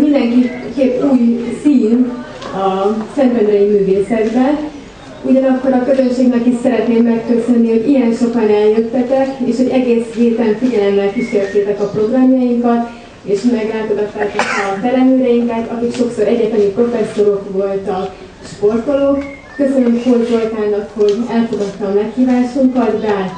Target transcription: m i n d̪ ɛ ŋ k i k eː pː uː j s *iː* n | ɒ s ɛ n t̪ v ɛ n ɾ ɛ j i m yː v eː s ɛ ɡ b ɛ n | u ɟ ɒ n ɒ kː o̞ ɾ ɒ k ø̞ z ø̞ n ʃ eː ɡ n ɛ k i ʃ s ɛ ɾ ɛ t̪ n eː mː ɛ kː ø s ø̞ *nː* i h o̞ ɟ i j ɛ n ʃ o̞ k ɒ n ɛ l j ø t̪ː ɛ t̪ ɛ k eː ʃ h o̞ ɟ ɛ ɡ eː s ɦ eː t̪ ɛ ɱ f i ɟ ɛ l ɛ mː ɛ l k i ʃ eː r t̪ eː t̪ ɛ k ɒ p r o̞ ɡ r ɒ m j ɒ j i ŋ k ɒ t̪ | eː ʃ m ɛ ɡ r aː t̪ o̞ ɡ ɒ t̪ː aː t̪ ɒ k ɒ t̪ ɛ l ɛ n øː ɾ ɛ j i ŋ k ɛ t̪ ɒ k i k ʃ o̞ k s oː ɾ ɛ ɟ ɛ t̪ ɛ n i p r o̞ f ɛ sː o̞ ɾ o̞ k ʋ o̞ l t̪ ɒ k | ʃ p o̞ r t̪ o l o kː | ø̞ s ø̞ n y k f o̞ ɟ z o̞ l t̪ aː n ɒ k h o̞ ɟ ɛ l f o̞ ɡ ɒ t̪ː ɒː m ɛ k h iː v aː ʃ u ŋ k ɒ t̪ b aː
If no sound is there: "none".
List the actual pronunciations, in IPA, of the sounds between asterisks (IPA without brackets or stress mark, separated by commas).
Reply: iː, nː